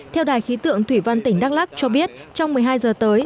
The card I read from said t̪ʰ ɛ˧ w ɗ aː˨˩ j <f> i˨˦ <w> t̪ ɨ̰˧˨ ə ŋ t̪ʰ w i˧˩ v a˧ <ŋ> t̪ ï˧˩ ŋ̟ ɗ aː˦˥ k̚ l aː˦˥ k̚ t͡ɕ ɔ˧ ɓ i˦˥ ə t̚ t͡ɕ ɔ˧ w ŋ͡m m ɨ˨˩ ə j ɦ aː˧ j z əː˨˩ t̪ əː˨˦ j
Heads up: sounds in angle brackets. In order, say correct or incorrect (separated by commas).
incorrect, incorrect, incorrect